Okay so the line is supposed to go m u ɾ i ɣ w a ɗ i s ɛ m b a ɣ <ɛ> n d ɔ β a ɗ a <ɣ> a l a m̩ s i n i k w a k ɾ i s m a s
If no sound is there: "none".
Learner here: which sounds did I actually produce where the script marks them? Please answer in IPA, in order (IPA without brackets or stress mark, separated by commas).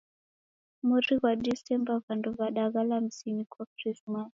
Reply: a, ɣ